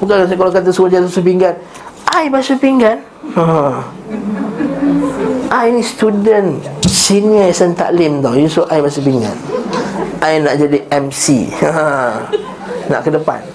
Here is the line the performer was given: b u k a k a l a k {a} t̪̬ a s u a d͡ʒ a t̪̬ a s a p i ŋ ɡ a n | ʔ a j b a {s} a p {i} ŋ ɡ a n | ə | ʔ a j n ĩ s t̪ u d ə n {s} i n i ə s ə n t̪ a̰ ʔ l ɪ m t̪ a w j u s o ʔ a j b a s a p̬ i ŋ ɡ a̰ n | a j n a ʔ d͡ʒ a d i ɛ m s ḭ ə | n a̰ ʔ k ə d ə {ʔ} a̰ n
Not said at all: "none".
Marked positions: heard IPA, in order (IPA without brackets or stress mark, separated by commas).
a, s, i, s, p